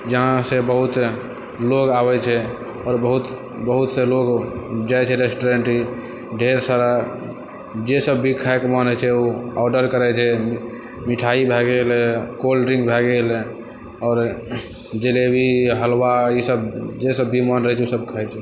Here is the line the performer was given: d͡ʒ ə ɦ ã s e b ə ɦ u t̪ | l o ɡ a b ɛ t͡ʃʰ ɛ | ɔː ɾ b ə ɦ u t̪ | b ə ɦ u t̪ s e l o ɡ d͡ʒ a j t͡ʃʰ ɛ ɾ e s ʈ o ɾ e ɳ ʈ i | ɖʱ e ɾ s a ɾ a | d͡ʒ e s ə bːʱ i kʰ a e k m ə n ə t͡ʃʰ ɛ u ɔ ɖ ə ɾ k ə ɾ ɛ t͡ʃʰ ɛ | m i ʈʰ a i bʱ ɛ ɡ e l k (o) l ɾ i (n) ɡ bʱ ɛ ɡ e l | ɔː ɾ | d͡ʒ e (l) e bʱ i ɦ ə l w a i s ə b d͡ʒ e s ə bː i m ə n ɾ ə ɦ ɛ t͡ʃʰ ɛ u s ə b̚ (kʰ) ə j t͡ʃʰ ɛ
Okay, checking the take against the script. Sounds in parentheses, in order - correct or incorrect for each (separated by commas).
correct, incorrect, correct, correct